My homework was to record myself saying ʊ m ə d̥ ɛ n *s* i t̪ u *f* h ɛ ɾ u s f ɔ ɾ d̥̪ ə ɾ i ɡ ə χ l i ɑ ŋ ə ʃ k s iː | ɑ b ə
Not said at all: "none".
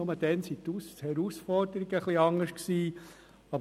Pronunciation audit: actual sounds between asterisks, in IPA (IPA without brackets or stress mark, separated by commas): s, s